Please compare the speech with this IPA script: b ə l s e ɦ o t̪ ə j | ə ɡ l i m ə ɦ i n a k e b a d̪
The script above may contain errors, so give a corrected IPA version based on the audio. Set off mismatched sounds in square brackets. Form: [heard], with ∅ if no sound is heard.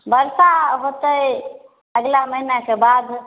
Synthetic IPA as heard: b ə [ɾ] s [a] ɦ o t̪ ə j | ə ɡ l [a] m ə ɦ i n a k e b a d̪